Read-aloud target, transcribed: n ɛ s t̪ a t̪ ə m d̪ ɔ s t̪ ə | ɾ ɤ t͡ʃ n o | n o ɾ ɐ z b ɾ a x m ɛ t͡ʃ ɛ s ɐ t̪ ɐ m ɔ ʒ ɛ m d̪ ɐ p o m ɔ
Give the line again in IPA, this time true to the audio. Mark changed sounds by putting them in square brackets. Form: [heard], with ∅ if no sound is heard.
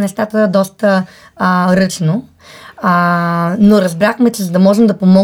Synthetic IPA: n ɛ s t̪ a t̪ ə [∅] d̪ ɔ s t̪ ə | ɾ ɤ t͡ʃ n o | n o ɾ ɐ z b ɾ a x m ɛ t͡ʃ ɛ [z] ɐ [d̪] ɐ m ɔ ʒ ɛ m d̪ ɐ p o m ɔ